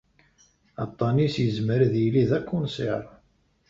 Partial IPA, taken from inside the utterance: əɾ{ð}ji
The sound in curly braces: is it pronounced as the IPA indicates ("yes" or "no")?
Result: yes